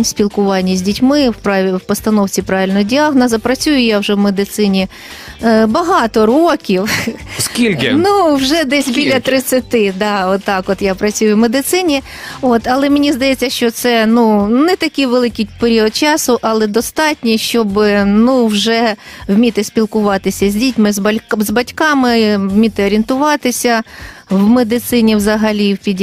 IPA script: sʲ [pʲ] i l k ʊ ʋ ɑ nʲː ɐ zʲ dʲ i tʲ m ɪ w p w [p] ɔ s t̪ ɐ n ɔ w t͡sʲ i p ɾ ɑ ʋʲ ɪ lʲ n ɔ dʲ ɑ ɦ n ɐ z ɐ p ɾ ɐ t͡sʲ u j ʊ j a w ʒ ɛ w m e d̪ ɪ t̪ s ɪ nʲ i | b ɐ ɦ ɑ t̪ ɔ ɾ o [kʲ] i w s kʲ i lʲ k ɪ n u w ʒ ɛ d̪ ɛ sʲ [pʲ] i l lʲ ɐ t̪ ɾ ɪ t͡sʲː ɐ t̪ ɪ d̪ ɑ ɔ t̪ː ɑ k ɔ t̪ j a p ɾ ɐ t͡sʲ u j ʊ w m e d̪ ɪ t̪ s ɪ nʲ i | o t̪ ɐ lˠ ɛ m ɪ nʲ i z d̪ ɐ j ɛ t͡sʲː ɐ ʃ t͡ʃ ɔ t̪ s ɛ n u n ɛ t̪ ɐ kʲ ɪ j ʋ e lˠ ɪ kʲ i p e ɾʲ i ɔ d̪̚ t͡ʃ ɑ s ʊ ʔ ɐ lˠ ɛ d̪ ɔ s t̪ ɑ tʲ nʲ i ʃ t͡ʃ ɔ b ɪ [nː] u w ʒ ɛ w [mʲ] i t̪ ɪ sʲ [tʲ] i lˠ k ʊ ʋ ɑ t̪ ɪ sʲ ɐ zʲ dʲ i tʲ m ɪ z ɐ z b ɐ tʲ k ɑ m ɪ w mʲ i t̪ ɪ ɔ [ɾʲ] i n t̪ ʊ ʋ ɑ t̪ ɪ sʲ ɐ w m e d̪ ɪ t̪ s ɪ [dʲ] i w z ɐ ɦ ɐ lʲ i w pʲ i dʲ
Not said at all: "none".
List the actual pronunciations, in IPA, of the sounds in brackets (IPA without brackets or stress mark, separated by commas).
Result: pʲ, p, kʲ, bʲ, n, mʲ, pʲ, ɾʲ, nʲ